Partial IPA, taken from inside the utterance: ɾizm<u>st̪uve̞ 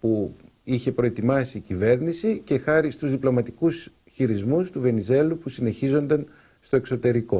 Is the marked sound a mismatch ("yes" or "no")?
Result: no